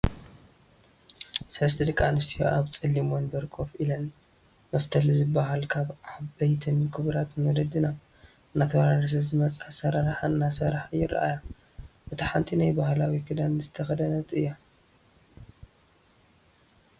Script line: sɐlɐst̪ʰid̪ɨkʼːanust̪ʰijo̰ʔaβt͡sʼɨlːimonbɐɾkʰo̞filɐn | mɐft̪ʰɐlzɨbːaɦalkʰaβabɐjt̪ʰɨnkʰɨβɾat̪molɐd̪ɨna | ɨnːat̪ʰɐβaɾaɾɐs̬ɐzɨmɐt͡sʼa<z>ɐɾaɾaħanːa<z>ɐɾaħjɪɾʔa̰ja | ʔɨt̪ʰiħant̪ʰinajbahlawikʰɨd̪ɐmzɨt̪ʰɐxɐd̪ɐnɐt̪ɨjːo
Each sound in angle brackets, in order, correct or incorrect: incorrect: s, incorrect: s

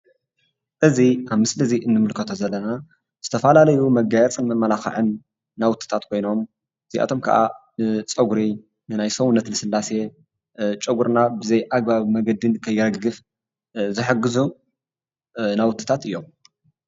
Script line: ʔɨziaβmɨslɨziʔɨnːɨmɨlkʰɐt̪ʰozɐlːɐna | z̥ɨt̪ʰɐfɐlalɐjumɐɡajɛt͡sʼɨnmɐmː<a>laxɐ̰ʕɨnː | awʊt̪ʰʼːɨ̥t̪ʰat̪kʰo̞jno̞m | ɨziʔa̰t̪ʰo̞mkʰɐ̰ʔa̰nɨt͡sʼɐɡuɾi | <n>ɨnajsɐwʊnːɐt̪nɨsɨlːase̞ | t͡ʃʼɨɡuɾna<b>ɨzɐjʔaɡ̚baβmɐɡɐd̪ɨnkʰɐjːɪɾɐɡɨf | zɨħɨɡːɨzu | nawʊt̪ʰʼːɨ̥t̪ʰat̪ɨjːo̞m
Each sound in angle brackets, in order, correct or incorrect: incorrect: ɐ, correct, correct

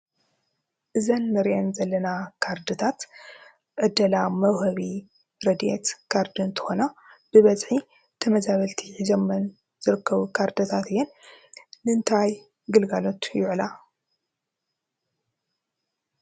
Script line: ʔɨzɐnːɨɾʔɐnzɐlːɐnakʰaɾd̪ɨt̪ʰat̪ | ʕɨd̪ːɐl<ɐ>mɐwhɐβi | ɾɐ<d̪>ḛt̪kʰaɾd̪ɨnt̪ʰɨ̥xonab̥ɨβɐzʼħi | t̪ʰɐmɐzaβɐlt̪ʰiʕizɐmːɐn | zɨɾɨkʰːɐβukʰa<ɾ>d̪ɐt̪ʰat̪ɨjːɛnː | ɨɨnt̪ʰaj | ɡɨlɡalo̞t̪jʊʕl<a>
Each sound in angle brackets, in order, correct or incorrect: incorrect: a, correct, correct, correct

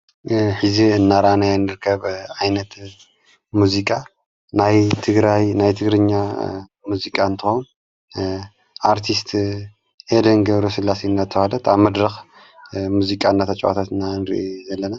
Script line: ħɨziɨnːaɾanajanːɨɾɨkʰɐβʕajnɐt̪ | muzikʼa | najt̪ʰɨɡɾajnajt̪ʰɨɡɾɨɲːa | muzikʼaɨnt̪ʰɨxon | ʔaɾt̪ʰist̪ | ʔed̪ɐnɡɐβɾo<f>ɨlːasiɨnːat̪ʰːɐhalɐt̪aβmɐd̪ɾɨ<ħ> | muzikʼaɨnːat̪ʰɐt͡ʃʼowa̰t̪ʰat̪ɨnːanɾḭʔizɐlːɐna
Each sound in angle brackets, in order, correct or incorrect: incorrect: s, incorrect: x

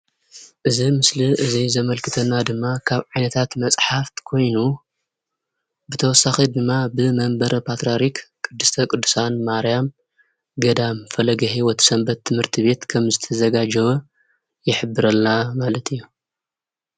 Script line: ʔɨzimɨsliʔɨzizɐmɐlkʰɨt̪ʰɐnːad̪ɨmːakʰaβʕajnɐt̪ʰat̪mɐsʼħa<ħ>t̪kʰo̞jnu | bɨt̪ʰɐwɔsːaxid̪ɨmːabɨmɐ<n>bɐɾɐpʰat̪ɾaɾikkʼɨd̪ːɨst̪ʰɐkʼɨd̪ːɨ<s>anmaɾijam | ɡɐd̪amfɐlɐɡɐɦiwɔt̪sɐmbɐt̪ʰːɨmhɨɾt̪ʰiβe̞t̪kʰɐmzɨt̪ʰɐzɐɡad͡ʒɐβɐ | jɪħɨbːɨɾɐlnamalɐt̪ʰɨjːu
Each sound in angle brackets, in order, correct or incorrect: incorrect: f, incorrect: m, correct

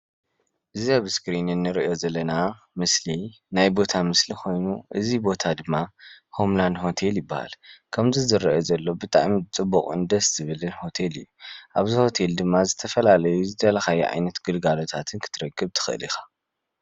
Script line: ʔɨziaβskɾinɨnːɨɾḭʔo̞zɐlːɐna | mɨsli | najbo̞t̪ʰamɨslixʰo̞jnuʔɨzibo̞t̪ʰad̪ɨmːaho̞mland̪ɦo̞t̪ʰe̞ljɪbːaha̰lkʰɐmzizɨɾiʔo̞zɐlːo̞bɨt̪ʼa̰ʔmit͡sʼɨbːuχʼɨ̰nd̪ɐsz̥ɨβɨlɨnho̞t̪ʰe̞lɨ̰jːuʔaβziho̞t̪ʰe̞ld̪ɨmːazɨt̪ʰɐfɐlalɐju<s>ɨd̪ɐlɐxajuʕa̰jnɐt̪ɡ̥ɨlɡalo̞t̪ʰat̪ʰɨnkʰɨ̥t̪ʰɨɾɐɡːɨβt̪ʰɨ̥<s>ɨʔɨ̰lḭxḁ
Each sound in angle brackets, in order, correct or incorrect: incorrect: z, incorrect: x

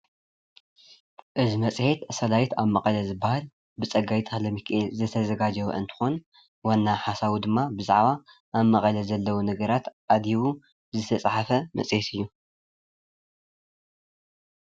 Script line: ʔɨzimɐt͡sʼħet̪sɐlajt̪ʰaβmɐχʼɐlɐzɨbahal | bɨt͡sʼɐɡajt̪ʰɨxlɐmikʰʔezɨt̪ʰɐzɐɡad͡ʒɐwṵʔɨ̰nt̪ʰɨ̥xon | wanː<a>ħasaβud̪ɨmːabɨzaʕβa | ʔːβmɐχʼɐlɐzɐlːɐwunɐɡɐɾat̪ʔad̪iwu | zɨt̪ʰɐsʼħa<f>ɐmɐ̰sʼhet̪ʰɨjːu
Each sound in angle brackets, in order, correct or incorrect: correct, correct

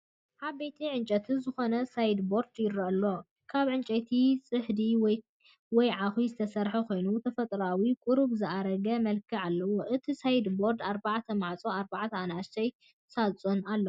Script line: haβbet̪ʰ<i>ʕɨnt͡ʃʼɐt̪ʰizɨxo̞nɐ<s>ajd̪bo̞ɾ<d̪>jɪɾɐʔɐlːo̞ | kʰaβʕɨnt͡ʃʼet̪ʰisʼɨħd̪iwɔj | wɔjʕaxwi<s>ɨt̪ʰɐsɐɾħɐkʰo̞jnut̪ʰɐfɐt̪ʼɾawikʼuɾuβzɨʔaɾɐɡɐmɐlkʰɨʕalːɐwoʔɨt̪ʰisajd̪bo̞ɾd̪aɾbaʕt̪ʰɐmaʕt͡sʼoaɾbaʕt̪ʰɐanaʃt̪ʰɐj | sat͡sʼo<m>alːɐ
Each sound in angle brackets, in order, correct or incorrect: correct, correct, correct, incorrect: z, incorrect: n

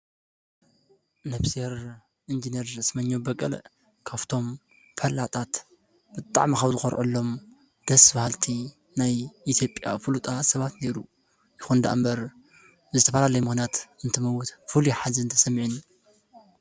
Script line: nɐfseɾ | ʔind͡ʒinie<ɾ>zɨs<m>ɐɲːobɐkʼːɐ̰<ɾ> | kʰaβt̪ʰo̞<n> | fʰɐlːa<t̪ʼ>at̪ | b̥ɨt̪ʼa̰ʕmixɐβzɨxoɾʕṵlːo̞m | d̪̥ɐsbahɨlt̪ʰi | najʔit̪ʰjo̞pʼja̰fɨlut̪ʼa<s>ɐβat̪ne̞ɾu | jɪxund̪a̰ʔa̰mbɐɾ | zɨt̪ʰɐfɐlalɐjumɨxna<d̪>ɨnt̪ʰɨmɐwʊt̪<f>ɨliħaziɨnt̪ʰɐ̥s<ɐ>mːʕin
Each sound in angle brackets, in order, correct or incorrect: correct, correct, incorrect: l, incorrect: m, correct, correct, incorrect: t̪, correct, correct

